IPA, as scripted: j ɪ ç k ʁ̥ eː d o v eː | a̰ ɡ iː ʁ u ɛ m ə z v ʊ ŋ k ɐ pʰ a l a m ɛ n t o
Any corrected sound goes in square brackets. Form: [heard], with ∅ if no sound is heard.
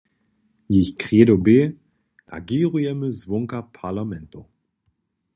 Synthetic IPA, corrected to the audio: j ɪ ç k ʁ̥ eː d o [b] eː | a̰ ɡ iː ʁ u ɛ m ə z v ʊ ŋ k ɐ pʰ a l a m ɛ n t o